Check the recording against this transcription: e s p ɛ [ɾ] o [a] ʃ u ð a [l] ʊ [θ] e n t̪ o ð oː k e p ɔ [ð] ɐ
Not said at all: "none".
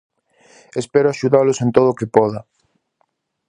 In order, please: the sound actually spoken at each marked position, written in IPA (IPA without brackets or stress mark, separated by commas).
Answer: ɾ, a, l, s, ð